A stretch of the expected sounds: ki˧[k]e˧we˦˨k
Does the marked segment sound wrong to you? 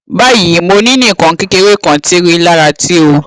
no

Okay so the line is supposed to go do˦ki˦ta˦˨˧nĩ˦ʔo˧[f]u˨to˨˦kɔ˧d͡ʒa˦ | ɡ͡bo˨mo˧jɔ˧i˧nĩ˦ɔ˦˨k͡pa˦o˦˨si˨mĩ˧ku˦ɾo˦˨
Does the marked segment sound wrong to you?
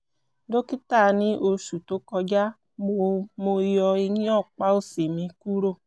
yes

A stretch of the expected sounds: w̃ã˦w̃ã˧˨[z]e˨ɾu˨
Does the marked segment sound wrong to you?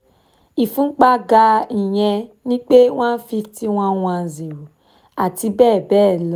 no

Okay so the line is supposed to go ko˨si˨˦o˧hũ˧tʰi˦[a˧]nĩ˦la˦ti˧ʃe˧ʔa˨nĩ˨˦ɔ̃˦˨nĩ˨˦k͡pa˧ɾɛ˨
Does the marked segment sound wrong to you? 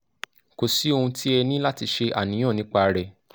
yes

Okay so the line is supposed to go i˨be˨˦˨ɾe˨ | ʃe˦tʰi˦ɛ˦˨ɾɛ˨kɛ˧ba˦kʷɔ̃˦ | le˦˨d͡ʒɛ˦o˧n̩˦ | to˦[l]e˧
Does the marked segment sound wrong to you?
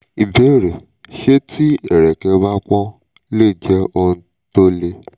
no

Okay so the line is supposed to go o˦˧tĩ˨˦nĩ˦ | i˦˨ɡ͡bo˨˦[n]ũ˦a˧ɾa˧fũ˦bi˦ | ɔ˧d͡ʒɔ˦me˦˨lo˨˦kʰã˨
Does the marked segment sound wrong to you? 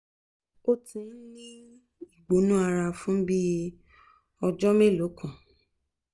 no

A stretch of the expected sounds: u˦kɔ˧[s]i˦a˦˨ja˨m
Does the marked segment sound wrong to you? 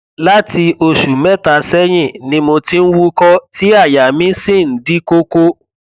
yes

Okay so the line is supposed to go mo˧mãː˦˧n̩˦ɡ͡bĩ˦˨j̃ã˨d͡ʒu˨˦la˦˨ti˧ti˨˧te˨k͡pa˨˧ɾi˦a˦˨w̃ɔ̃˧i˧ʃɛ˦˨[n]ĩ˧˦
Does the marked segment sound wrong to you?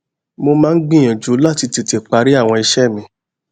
yes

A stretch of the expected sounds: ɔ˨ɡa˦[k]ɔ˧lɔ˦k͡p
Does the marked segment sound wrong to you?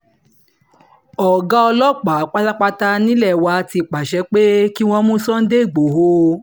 yes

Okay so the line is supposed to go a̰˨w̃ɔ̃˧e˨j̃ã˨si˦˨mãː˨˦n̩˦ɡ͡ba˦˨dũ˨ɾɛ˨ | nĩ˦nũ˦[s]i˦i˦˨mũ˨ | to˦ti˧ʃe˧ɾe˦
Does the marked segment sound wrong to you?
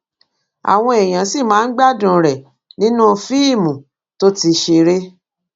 yes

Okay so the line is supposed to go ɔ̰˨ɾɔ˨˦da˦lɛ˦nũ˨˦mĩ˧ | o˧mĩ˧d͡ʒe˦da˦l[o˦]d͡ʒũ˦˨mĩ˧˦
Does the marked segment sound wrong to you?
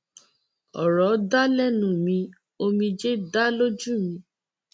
no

